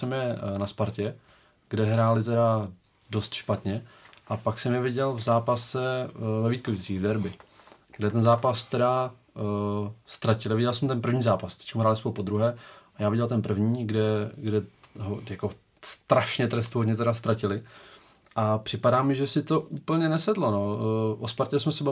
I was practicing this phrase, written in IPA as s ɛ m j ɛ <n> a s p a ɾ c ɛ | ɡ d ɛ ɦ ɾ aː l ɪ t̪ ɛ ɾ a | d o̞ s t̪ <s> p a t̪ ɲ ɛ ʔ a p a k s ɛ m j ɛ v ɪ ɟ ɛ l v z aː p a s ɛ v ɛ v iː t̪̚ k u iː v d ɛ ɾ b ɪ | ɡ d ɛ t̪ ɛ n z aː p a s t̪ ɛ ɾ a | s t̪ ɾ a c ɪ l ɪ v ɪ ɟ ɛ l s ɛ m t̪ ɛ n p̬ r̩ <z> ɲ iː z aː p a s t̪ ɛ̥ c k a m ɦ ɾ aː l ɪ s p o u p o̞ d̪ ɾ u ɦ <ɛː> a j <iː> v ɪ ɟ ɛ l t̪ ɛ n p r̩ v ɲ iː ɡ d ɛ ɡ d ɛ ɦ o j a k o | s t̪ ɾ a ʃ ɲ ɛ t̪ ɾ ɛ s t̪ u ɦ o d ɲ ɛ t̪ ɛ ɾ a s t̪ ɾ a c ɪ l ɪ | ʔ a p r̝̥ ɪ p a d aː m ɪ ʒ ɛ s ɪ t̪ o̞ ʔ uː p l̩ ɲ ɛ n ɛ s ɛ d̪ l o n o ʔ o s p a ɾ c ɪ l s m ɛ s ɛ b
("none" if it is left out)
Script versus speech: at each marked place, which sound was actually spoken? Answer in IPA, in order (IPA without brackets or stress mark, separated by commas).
n, ʃ, v, ɛː, aː